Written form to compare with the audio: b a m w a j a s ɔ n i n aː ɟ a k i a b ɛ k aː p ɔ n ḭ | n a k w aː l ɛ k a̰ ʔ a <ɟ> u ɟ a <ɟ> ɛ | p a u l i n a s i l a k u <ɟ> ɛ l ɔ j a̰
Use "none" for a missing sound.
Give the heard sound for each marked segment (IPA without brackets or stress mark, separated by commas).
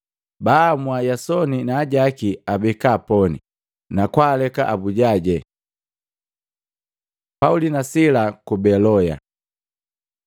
b, ɟ, b